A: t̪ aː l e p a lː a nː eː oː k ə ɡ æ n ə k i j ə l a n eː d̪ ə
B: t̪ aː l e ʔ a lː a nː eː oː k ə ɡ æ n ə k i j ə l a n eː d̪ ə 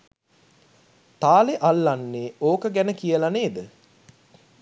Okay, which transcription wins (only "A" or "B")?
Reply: B